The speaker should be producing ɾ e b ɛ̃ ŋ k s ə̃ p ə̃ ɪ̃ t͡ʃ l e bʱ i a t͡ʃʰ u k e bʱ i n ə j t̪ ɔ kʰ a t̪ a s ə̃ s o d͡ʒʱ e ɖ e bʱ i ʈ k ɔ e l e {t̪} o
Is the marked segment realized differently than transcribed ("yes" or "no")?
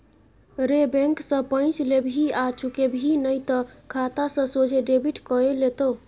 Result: no